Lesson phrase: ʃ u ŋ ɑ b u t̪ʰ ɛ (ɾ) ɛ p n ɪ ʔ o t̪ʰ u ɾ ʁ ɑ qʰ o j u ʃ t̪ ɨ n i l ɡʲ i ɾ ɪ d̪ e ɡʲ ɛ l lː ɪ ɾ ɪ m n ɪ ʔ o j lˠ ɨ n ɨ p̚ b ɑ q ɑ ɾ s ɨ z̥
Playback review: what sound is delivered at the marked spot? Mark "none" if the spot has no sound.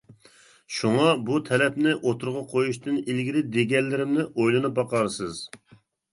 l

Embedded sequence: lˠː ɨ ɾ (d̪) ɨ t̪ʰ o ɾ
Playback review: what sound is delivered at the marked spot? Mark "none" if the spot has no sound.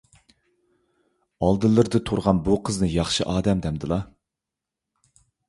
d̪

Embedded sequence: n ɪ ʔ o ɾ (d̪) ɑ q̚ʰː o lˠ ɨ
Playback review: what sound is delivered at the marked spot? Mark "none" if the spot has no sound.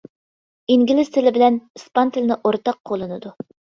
t̪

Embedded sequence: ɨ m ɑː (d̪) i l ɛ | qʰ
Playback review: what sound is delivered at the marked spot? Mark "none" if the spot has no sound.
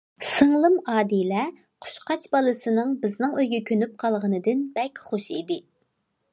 d̪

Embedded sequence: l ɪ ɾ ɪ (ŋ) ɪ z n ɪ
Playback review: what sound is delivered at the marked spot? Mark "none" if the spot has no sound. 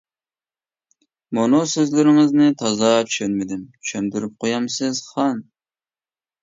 ŋ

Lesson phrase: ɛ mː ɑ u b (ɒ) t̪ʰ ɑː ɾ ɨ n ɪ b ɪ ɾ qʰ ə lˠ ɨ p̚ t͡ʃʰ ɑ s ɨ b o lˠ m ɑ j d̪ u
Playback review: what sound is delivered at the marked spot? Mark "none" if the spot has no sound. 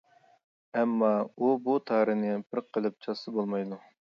u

